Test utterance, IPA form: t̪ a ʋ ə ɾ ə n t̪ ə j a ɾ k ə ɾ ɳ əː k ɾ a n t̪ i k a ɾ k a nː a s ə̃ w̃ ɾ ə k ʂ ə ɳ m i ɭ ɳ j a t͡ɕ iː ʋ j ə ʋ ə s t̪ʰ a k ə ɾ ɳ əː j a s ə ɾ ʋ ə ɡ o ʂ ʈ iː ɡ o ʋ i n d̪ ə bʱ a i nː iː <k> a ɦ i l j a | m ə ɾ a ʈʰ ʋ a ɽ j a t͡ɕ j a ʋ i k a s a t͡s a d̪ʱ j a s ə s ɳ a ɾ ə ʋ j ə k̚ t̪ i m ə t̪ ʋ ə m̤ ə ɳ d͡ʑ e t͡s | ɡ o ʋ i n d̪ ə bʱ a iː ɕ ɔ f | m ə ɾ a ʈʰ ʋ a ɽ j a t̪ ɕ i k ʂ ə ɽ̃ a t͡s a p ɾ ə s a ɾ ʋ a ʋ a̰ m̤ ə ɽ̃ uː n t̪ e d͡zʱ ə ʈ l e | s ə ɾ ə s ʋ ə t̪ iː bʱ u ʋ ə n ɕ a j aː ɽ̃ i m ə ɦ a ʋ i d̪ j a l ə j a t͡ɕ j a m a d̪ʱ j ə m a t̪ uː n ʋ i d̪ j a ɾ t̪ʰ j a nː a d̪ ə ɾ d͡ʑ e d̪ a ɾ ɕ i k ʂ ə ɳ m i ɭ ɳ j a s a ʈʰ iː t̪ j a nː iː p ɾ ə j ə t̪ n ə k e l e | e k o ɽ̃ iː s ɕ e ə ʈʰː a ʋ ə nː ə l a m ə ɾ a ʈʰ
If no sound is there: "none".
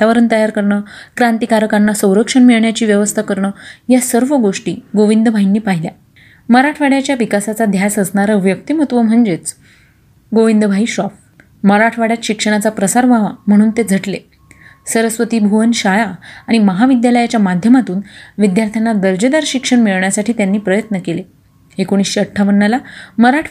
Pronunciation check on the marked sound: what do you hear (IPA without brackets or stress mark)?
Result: p